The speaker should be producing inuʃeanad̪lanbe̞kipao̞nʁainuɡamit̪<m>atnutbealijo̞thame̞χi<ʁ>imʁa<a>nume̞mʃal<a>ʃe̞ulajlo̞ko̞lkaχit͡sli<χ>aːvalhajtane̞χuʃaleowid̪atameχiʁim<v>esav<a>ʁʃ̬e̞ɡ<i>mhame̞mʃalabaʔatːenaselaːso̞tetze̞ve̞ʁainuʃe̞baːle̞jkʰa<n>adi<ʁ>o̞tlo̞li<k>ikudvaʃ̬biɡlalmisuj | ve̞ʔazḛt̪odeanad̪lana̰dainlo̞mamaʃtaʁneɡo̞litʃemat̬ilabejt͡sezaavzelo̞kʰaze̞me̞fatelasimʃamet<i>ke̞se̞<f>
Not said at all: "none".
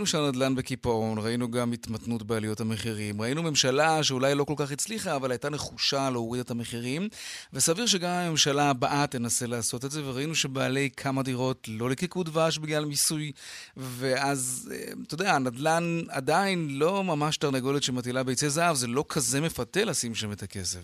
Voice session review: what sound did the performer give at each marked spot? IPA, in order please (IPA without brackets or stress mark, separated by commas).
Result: m, ʁ, i, a, χ, v, i, a, m, ʁ, k, a, v